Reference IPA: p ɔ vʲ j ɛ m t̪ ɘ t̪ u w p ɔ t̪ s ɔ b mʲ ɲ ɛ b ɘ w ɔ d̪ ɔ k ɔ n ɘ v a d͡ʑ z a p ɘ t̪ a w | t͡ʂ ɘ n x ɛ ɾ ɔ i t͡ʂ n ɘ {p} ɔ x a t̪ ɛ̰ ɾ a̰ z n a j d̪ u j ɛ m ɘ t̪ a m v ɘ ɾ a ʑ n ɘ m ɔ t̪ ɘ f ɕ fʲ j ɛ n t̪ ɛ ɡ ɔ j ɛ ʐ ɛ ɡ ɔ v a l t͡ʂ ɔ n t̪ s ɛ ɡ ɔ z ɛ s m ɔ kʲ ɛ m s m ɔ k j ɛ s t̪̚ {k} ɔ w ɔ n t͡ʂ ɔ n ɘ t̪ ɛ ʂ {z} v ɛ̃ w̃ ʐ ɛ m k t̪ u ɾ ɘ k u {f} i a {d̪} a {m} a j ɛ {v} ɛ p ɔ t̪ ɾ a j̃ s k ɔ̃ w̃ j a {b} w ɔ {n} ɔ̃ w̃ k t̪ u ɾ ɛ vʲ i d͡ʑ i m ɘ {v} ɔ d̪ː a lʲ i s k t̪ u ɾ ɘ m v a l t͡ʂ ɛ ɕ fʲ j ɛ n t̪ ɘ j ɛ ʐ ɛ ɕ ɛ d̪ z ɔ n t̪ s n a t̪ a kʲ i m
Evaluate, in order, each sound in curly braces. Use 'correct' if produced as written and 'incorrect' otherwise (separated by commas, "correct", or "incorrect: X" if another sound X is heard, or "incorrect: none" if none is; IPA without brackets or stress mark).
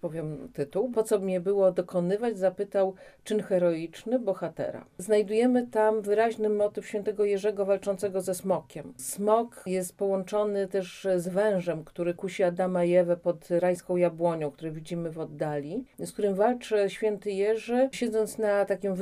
incorrect: b, incorrect: p, correct, incorrect: ɕ, correct, correct, correct, correct, incorrect: ɲ, correct